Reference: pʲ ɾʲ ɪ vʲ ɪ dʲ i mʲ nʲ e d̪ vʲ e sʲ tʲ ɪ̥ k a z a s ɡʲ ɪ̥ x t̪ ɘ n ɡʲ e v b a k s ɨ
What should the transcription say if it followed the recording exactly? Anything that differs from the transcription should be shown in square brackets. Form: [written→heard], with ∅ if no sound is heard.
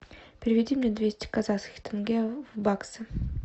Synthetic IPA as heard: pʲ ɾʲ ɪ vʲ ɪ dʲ i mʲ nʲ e d̪ vʲ e sʲ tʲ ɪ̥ k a z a s [ɡʲ→kʲ] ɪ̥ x t̪ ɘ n ɡʲ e v b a k s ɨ